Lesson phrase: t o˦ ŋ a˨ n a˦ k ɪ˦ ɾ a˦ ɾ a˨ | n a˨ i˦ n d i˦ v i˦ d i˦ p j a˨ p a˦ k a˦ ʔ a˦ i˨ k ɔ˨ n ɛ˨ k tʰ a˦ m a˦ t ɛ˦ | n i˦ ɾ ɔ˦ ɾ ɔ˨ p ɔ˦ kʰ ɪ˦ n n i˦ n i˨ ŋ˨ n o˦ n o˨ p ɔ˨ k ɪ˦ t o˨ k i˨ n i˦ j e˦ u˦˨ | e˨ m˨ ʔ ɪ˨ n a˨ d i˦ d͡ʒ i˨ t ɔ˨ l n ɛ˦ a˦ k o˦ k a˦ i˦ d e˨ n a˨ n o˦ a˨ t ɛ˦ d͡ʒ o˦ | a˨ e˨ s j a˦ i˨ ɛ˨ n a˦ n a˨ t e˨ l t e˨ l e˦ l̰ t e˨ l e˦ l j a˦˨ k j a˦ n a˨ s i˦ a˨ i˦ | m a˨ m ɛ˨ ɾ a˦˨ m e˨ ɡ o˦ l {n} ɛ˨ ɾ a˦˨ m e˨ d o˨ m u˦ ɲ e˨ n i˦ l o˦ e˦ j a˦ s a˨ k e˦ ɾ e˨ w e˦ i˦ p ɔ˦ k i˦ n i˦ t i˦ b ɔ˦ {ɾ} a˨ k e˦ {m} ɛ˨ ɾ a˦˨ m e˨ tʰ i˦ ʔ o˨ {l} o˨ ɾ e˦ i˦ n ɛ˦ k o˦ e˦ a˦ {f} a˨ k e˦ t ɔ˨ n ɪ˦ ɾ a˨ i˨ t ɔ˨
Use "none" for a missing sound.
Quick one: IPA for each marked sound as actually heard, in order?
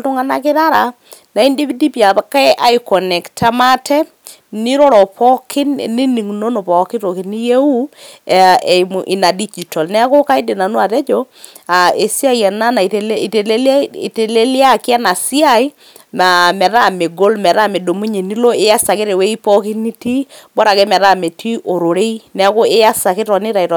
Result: m, ɾ, m, ɾ, s

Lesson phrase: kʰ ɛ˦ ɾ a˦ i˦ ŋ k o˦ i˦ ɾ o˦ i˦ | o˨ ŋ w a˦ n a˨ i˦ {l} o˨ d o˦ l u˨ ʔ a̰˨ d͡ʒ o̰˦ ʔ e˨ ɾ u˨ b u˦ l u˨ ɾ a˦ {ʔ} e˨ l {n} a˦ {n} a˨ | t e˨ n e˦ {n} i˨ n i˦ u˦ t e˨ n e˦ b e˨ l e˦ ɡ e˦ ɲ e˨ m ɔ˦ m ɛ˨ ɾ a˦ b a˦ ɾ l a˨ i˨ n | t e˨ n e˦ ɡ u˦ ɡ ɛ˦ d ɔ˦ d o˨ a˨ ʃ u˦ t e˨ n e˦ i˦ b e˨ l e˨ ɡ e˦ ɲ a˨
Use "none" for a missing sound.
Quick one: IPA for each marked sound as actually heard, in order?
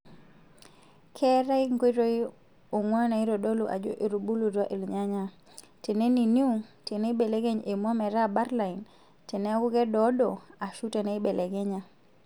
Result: ɾ, ʔ, ɲ, ɲ, n

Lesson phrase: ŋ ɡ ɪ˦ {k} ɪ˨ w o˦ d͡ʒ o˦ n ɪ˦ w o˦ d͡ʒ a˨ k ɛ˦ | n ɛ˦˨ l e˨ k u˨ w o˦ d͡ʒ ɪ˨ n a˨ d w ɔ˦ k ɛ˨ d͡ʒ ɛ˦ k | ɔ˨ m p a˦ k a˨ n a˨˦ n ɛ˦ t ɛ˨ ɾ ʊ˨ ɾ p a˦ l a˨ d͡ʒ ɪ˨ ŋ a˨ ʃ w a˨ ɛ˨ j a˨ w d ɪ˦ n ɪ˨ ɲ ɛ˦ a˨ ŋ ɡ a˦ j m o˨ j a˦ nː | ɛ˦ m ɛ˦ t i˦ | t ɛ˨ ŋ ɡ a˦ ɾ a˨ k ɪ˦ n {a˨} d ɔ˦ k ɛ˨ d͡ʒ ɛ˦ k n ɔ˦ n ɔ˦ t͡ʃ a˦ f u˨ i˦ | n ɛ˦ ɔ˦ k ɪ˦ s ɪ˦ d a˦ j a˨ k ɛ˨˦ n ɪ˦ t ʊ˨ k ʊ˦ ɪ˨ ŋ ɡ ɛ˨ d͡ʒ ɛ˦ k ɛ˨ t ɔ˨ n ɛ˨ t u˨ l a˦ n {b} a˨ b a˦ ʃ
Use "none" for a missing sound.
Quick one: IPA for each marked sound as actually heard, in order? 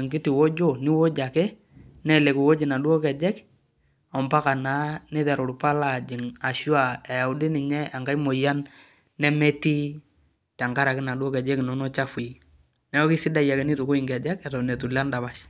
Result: t, a˨, d

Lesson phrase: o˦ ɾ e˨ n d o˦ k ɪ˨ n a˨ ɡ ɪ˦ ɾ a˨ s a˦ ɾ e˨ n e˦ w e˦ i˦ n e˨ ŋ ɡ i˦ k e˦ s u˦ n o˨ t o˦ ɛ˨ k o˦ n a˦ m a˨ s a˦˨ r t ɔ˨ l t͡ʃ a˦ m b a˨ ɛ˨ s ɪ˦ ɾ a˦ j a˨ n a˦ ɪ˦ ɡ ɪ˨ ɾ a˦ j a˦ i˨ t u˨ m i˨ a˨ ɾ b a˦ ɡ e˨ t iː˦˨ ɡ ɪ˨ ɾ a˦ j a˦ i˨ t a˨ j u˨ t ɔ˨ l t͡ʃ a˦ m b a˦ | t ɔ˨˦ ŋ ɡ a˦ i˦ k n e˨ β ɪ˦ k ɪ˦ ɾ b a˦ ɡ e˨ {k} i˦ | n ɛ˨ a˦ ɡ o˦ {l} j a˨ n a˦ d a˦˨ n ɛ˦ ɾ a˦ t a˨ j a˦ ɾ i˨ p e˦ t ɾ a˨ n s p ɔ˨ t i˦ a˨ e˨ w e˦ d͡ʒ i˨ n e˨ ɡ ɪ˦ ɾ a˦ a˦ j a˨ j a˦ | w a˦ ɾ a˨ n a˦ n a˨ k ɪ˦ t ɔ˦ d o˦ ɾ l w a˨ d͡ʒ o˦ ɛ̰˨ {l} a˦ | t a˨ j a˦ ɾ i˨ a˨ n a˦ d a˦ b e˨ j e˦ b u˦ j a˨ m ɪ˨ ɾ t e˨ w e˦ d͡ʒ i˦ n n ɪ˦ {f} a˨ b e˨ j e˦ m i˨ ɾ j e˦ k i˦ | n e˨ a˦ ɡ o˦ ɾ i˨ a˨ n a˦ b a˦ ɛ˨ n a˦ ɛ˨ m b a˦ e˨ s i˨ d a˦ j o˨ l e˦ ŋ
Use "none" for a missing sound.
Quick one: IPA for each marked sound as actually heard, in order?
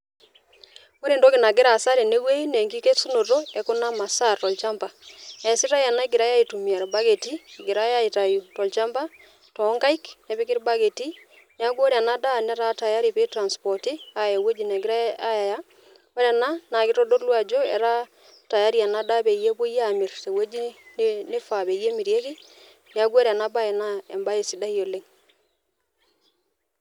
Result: t, ɾ, ɾ, f

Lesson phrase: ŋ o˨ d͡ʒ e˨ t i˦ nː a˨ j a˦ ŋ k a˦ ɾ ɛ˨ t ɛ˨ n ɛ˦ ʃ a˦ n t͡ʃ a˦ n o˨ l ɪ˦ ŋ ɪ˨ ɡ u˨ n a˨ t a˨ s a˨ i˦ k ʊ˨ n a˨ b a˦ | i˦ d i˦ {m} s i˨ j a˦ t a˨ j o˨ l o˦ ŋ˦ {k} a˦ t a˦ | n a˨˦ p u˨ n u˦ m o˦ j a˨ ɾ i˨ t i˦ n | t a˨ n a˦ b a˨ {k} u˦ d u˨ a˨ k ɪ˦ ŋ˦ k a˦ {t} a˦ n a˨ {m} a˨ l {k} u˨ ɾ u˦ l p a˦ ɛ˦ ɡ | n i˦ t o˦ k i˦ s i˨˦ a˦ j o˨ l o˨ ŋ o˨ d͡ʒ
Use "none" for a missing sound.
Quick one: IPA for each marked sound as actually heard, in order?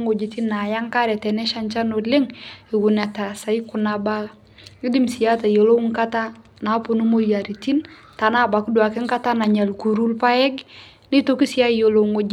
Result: m, k, k, t, ɲ, k

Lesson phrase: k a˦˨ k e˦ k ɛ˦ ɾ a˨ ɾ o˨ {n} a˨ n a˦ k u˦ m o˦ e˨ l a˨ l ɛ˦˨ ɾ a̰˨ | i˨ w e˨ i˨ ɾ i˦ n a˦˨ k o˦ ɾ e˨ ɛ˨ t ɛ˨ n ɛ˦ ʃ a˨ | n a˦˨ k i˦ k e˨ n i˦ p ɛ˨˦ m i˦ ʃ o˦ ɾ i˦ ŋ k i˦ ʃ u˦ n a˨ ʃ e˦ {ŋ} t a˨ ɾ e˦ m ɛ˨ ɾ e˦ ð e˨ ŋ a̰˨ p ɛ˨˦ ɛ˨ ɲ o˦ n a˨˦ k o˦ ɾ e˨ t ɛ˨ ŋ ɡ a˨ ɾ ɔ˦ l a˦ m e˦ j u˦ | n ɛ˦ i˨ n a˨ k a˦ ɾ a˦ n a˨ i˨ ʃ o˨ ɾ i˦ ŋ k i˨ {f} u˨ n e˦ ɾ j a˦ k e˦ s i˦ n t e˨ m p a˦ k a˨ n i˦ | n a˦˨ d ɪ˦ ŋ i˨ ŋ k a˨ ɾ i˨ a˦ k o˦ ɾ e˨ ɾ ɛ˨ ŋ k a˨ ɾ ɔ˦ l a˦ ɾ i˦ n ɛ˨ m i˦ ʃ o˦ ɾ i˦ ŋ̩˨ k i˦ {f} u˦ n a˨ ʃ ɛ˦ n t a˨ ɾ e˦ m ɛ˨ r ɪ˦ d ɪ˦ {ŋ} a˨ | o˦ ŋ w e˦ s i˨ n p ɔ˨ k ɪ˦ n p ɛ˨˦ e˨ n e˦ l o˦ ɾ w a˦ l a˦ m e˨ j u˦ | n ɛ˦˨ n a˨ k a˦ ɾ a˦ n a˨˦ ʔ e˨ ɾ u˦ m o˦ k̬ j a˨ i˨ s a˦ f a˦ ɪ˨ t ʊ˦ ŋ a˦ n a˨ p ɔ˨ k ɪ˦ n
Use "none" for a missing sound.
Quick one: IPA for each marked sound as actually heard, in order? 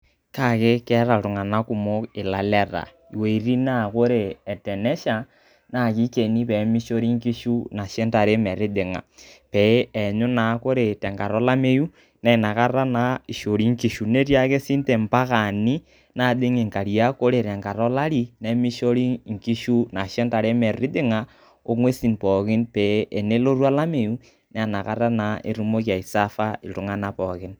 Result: ŋ, n, ʃ, ʃ, ŋ

